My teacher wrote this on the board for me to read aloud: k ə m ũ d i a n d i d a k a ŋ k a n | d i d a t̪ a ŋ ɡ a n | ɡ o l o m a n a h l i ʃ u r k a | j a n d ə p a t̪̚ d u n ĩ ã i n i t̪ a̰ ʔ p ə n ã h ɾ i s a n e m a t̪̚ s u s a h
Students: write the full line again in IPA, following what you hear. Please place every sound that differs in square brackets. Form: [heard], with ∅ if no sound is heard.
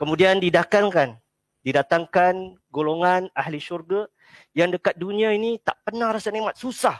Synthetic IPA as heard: k ə m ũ d i a n d i d a k a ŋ k a n | d i d a t̪ a ŋ [k] a n | ɡ o l o [ŋ] a n a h l i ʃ u r [ɡ] a | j a [ŋ] d ə [k] a t̪̚ d u n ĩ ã i n i t̪ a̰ ʔ p ə n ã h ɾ [a] s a n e m a t̪̚ s u s a h